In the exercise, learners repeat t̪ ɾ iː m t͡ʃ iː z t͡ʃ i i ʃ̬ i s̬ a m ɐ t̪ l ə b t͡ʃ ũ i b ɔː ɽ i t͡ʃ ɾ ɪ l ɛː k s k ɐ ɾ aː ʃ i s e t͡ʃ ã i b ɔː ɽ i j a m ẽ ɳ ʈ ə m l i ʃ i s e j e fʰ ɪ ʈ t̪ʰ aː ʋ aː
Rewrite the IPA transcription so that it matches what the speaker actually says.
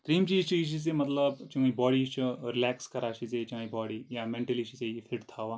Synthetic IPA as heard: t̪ ɾ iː m t͡ʃ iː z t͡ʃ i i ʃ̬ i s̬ e m ɐ t̪ l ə b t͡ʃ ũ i b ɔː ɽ i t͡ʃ ɾ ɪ l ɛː k s k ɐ ɾ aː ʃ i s e t͡ʃ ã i b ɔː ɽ i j a m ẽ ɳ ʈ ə l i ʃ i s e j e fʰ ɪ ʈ t̪ʰ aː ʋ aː